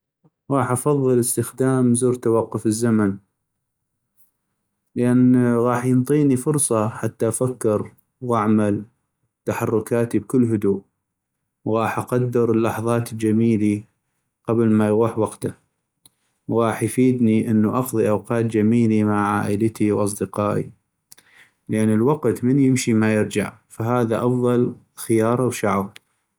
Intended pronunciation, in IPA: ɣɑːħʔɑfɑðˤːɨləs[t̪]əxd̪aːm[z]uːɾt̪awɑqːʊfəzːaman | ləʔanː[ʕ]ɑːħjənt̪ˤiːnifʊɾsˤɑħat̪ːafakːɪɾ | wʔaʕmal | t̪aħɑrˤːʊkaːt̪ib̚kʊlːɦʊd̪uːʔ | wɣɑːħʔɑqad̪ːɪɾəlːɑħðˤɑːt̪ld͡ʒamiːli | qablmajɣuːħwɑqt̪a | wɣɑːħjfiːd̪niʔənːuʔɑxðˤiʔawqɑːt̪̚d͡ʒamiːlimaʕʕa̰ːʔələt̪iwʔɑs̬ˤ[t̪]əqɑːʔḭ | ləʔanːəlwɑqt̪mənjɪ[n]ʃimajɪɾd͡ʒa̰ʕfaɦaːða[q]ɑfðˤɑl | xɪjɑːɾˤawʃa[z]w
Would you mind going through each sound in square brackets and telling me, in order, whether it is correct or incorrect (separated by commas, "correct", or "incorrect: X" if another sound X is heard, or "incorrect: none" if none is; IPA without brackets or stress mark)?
correct, correct, incorrect: ɣ, incorrect: d̪, incorrect: m, incorrect: ʔ, incorrect: ʕ